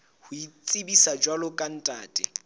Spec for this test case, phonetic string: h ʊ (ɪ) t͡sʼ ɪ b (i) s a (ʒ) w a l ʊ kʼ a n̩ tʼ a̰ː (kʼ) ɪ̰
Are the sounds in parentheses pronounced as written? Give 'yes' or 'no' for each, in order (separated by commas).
no, yes, no, no